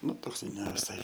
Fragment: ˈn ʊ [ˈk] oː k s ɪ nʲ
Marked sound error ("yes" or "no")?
yes